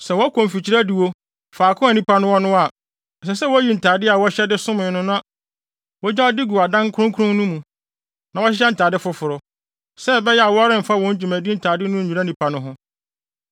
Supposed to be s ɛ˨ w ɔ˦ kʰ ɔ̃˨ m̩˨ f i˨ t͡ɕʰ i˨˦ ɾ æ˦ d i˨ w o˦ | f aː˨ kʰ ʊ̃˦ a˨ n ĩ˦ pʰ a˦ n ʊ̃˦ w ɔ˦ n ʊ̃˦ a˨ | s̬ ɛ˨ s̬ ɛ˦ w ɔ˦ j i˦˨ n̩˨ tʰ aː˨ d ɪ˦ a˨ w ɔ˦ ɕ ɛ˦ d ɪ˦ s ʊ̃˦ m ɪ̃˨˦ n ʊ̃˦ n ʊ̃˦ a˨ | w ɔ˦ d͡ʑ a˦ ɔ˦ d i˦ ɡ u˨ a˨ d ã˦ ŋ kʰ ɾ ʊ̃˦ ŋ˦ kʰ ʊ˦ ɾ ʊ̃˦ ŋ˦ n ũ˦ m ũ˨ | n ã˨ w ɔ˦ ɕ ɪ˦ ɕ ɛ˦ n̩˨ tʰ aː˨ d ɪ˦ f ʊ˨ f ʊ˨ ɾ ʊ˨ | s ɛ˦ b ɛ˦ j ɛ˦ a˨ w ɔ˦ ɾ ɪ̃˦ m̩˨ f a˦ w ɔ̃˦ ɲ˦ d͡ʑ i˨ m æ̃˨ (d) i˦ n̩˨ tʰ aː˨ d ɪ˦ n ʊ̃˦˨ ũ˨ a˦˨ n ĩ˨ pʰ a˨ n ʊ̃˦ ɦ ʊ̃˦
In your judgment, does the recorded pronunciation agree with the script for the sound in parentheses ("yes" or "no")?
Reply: yes